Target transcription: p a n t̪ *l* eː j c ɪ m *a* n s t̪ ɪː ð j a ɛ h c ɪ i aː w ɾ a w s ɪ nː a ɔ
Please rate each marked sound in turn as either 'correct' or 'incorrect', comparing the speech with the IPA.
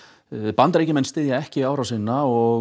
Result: incorrect, incorrect

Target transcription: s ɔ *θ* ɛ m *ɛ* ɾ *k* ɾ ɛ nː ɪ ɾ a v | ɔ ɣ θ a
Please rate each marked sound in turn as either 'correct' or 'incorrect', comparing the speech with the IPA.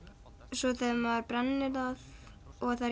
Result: correct, incorrect, incorrect

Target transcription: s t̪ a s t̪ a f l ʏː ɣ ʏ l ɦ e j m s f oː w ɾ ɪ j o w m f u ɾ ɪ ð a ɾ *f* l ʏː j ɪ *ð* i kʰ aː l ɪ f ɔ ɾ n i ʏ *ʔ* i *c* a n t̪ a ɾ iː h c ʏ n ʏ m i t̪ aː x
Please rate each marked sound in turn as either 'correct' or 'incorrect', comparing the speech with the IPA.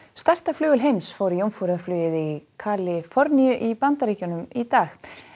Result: correct, correct, correct, incorrect

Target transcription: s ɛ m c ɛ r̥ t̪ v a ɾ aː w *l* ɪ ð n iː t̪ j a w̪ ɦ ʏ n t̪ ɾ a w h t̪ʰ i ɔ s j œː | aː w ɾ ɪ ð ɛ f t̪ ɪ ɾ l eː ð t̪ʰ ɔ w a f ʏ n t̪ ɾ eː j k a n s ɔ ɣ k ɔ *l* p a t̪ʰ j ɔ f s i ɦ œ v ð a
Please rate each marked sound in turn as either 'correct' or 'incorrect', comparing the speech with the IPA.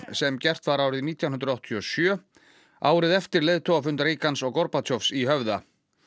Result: incorrect, incorrect

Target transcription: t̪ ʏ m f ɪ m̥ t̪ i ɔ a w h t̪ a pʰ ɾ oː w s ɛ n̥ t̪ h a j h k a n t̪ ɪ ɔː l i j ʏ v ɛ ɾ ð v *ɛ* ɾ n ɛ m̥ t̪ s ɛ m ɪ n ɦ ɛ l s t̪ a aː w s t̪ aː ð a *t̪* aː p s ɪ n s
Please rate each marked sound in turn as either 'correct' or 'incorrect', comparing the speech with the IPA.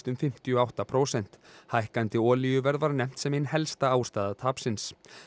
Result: incorrect, incorrect

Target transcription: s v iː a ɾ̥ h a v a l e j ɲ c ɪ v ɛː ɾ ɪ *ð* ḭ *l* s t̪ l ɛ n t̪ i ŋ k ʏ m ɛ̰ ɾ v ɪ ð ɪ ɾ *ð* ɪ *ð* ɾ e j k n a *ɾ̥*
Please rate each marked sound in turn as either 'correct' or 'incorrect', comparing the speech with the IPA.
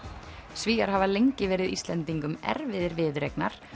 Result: correct, incorrect, incorrect, correct, correct

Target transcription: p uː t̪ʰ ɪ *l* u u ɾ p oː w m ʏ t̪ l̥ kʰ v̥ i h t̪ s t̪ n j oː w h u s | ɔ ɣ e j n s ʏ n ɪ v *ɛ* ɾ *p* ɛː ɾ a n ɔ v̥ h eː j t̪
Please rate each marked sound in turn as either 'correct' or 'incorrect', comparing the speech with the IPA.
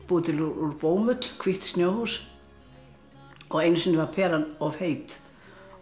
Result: correct, incorrect, incorrect

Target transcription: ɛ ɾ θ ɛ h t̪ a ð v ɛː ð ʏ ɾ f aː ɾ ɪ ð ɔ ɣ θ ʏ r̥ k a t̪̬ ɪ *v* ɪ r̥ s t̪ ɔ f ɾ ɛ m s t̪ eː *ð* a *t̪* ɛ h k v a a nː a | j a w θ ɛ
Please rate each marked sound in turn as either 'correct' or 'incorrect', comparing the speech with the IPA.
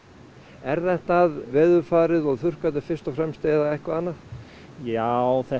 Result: incorrect, correct, incorrect

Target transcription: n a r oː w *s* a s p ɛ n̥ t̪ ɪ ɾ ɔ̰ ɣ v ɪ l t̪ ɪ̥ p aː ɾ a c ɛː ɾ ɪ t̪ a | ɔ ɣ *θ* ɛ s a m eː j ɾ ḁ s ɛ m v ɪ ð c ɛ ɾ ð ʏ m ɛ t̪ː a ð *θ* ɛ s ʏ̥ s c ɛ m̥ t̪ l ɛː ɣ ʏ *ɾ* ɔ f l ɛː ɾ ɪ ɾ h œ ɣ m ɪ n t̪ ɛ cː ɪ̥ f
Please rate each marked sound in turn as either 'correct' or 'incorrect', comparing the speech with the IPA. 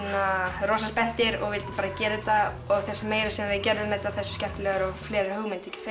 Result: correct, correct, correct, correct

